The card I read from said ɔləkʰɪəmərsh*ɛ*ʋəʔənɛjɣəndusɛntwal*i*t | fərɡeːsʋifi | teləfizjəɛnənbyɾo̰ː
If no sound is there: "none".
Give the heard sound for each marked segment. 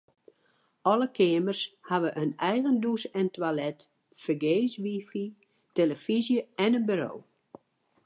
a, ɛ

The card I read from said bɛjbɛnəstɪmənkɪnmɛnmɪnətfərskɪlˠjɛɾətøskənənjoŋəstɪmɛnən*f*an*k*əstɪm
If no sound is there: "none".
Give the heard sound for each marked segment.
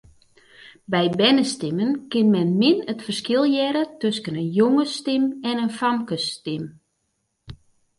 f, k

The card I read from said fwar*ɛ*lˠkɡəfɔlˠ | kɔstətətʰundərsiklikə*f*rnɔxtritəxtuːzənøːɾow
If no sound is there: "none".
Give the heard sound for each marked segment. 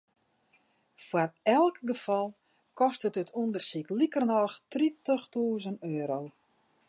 ɛ, none

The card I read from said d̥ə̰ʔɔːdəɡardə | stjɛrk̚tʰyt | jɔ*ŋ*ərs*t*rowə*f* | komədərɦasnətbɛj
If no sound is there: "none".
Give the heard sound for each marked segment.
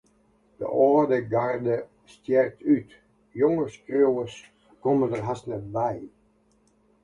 ŋ, k, s

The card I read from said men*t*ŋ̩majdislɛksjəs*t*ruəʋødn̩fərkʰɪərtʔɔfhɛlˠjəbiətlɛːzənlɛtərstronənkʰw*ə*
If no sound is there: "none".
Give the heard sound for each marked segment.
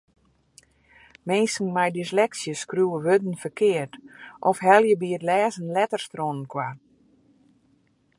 s, k, a

